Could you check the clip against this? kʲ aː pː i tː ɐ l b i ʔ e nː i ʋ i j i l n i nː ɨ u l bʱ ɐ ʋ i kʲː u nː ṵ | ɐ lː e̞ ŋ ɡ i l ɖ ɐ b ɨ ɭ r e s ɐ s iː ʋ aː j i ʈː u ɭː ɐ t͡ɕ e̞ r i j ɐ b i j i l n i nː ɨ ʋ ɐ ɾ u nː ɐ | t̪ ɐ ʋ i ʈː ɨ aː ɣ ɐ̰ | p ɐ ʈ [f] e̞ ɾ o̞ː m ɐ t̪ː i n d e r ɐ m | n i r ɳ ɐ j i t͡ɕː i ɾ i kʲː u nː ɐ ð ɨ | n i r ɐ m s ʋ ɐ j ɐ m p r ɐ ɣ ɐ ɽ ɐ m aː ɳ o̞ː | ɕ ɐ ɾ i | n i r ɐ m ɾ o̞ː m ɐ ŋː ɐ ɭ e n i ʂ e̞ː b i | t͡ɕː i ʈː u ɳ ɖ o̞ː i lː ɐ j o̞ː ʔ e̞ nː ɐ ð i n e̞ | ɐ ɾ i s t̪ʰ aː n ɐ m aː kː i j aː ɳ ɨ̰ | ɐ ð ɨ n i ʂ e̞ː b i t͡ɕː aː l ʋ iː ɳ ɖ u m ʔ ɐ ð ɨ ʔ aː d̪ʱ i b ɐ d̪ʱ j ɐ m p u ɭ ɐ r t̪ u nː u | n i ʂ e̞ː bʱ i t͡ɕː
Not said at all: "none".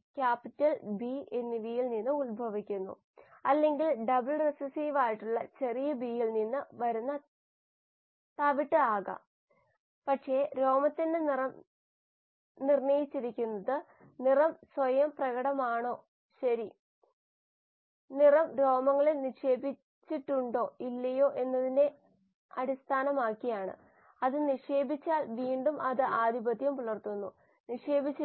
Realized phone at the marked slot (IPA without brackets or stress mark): ʂ